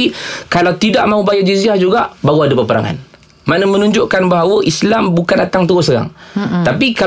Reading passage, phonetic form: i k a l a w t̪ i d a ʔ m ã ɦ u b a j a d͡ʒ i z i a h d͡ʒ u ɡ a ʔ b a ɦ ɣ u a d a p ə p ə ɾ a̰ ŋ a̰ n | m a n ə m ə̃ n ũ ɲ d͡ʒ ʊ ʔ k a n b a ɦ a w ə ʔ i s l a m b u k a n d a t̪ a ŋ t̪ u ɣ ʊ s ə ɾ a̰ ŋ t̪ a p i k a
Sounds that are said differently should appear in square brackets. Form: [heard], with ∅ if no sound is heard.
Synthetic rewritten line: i k a l a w t̪ i d a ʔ m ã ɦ u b a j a d͡ʒ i z i a h d͡ʒ u ɡ a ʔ b a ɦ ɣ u a d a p ə p ə ɾ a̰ ŋ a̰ n | m a n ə m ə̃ n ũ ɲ d͡ʒ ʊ ʔ k a n b a ɦ a w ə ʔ i s l a m b u k a n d a t̪ a ŋ t̪ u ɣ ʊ s ə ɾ a̰ ŋ t̪ a p i k a